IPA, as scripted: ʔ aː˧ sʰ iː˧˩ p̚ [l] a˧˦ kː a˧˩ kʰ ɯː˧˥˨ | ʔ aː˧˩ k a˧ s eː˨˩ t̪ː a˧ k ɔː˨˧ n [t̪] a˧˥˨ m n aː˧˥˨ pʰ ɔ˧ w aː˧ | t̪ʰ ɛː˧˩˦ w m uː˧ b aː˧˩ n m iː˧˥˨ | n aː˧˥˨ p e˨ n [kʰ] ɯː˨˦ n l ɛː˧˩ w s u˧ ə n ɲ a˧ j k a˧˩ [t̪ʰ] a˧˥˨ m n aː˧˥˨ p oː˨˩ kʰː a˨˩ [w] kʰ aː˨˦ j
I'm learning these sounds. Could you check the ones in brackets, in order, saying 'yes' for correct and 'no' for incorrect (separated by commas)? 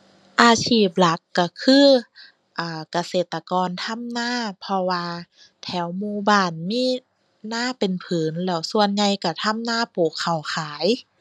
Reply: yes, no, no, yes, yes